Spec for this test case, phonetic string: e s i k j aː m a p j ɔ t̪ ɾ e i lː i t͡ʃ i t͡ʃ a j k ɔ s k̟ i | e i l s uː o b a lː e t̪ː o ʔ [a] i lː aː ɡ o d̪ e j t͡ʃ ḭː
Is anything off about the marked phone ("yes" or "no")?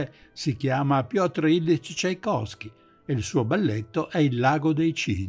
yes